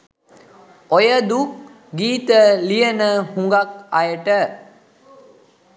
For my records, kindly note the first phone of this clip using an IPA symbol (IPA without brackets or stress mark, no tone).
o